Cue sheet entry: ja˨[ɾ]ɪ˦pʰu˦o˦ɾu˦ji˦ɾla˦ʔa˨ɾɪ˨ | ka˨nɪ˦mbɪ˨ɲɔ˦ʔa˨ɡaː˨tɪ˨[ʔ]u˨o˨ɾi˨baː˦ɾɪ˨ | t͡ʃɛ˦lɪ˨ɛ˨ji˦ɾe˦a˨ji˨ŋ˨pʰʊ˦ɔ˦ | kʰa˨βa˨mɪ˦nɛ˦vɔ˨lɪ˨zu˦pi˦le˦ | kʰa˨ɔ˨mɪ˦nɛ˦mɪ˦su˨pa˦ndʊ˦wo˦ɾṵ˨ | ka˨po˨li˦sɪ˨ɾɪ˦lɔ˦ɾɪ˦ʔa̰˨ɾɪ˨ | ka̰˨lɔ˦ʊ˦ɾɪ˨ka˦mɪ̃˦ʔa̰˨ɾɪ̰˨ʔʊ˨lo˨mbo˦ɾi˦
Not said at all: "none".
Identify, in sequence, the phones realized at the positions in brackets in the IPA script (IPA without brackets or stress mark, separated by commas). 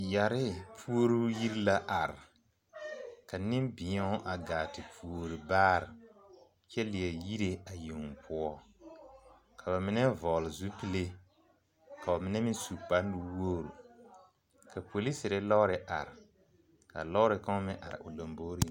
ɾ, p